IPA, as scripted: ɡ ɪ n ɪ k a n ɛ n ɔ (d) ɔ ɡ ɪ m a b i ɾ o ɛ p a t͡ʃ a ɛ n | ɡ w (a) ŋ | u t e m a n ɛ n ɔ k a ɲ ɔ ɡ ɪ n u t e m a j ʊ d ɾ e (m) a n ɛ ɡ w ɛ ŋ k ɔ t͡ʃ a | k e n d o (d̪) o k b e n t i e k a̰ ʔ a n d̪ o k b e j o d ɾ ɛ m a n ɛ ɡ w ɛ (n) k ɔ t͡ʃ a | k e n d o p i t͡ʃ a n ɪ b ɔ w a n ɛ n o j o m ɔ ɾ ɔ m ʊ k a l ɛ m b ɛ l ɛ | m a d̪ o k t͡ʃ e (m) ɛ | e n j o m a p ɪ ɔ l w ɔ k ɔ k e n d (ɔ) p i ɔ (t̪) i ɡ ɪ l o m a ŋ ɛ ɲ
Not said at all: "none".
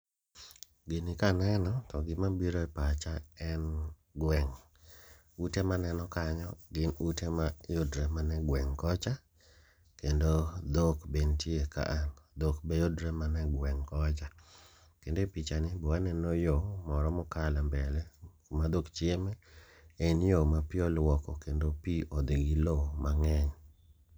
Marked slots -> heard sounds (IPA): t, ɛ, m, d̪, ŋ, m, o, d̪

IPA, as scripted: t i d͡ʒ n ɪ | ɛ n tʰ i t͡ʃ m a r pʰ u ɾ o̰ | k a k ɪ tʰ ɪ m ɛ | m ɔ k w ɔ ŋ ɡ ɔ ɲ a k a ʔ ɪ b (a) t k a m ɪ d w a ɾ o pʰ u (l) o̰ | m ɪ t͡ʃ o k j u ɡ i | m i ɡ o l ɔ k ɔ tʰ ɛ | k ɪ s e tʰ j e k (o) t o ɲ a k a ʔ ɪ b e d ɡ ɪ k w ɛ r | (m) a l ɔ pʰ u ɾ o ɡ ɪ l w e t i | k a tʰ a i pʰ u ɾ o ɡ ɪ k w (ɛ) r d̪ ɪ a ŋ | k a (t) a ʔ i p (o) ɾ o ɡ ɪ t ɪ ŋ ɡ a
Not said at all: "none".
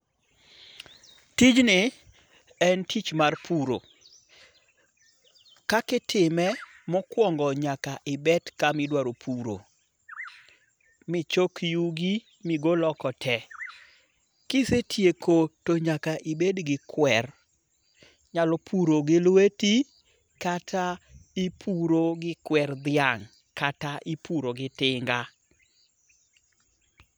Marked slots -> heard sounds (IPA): ɛ, ɾ, o, ɲ, ɛ, t, u

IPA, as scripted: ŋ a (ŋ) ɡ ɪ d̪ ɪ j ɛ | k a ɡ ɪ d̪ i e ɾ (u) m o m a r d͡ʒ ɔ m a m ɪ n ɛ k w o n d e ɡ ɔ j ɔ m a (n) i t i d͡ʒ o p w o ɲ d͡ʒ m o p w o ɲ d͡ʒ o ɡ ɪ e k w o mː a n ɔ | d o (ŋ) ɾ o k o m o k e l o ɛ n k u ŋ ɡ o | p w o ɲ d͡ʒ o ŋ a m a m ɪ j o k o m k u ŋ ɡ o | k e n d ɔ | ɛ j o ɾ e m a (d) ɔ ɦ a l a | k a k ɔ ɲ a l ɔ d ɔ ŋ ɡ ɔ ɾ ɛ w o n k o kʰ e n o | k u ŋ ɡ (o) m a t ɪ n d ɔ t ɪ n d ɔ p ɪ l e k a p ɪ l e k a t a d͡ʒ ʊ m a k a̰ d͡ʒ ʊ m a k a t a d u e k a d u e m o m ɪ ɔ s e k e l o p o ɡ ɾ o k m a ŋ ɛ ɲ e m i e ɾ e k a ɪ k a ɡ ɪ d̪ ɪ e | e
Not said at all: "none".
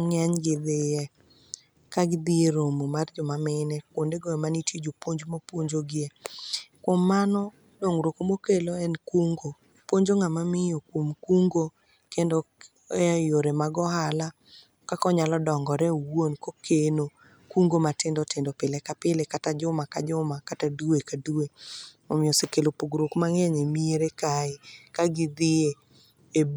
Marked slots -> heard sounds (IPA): ɲ, o, n, ŋ, ɡ, o

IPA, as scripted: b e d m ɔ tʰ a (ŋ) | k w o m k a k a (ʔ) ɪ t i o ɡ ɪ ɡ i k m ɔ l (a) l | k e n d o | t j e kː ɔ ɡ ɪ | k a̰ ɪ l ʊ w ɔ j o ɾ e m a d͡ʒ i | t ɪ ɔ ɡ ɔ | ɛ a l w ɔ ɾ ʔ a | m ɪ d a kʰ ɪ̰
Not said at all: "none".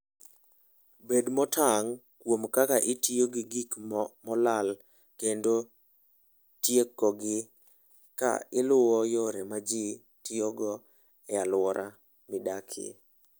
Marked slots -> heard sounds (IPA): ŋ, ʔ, a

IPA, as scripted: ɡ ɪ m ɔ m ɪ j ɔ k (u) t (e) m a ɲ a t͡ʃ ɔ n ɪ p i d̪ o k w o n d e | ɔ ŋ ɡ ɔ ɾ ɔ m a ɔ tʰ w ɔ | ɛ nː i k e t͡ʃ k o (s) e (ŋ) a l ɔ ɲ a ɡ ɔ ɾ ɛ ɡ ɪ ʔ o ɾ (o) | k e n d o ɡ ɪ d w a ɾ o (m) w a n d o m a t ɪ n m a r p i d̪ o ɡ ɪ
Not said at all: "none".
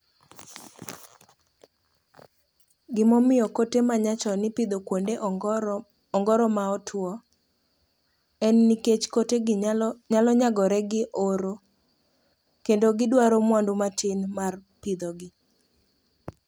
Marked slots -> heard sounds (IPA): o, e, t, ɲ, o, m

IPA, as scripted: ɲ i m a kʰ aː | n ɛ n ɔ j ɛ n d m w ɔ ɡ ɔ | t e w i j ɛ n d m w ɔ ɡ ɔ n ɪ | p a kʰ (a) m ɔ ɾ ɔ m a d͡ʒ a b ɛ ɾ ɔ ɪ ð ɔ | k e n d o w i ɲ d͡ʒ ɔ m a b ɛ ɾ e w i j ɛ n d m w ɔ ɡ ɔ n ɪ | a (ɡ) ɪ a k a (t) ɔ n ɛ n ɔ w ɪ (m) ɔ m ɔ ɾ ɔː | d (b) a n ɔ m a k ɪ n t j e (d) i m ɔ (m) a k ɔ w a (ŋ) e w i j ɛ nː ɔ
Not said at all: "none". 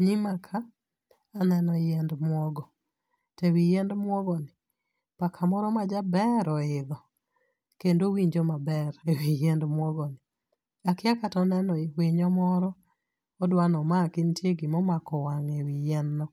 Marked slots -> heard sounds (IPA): a, k, t, ɲ, w, ɡ, m, ŋ

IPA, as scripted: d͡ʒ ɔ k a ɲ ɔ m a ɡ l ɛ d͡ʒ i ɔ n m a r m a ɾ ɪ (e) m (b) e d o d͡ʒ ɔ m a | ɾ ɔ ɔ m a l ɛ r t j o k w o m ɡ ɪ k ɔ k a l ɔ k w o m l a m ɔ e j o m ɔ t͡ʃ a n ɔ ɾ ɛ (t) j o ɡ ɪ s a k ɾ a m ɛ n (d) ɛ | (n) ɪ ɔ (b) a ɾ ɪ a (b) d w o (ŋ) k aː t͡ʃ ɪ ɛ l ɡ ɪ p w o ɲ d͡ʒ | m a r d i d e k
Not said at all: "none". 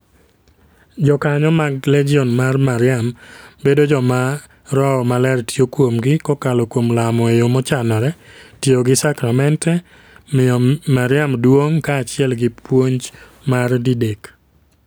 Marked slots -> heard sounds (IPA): a, b, t, t, m, m, m, ŋ

